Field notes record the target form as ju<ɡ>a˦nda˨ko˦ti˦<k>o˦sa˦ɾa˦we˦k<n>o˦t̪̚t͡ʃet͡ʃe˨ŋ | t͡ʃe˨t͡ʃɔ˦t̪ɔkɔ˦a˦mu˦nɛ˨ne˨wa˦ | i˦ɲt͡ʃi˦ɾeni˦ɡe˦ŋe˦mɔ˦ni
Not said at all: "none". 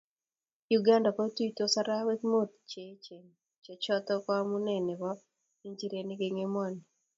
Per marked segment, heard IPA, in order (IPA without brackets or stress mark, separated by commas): ɡ, t, m